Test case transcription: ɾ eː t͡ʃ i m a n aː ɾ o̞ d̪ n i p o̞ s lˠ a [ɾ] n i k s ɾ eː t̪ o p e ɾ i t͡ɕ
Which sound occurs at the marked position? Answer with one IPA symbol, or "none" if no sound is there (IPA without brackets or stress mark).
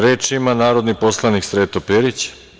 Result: none